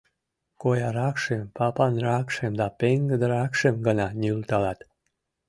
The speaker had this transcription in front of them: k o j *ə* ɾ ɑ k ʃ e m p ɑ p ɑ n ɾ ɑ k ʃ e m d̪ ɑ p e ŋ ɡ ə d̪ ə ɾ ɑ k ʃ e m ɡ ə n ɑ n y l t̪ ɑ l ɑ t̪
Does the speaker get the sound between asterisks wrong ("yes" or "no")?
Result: yes